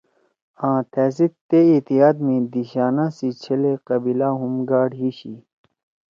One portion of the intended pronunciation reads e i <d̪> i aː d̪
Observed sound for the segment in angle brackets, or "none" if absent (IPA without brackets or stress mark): t̪